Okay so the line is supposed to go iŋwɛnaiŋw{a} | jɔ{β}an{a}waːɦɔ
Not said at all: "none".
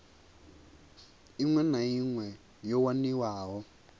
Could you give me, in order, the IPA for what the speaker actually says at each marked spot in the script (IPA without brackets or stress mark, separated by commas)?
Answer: ɛ, w, i